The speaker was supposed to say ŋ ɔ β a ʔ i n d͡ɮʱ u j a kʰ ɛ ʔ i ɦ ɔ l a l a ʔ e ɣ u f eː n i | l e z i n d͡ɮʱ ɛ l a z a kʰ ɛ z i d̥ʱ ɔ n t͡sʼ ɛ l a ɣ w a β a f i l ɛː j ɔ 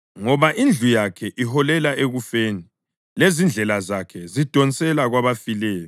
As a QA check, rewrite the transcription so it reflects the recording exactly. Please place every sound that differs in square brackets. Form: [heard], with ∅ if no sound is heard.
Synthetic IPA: ŋ ɔ β a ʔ i n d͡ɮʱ u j a kʰ ɛ ʔ i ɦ ɔ l [ɛ] l a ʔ e ɣ u f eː n i | l e z i n d͡ɮʱ ɛ l a z a kʰ ɛ z i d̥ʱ ɔ n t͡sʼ ɛ l a ɣ w a β a f i l ɛː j ɔ